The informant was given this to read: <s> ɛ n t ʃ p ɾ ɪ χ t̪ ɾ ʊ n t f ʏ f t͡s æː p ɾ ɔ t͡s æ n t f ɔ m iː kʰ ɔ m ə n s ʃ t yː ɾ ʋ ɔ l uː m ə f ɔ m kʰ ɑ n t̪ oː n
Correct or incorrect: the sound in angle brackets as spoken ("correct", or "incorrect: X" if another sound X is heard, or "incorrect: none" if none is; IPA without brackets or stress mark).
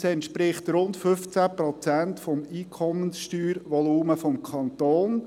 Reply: correct